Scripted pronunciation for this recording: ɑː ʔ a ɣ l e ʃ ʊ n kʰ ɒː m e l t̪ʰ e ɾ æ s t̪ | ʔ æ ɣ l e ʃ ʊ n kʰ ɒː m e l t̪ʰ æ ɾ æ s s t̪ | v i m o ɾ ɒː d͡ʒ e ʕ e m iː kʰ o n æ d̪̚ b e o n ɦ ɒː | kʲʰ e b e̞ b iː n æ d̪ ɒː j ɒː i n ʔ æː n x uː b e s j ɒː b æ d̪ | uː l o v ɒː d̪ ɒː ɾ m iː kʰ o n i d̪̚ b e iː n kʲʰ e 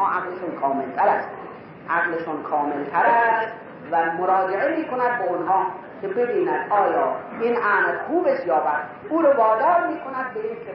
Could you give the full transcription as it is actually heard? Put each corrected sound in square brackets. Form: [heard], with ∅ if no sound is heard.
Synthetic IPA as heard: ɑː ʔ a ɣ l e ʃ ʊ n kʰ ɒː m e l t̪ʰ [æ] ɾ æ s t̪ | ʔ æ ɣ l e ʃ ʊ n kʰ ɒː m e l t̪ʰ æ ɾ æ s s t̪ | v [æ] m o ɾ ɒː d͡ʒ e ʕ e m iː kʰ o n æ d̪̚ b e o n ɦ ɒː | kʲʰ e b e̞ b iː n æ d̪ ɒː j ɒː i n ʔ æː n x uː b e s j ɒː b æ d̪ | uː [ɾ] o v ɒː d̪ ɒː ɾ m iː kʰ o n [æ] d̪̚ b e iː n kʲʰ e